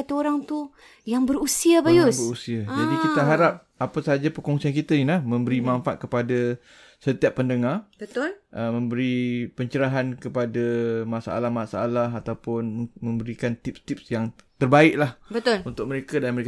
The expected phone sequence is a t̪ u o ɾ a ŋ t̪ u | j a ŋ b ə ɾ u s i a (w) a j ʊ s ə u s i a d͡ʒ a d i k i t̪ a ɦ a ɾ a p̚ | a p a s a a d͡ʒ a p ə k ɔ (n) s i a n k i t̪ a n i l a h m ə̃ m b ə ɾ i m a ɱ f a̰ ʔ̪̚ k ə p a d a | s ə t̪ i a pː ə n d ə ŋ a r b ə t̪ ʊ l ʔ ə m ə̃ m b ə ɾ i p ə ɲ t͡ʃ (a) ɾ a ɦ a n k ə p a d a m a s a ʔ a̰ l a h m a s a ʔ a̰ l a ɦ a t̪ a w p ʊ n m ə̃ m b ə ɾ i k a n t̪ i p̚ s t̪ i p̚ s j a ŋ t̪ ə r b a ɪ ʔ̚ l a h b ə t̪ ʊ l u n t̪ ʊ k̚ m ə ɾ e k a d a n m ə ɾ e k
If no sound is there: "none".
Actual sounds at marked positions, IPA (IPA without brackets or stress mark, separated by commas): b, ŋ, ə